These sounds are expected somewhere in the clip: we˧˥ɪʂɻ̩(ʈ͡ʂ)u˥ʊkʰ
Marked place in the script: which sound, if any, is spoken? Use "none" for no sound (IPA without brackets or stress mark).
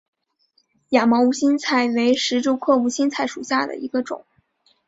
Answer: ʈ͡ʂ